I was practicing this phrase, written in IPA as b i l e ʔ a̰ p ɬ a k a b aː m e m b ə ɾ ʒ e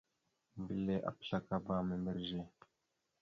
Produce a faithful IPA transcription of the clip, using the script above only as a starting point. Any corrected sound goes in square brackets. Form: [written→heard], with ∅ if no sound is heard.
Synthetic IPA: b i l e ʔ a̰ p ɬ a k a b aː m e m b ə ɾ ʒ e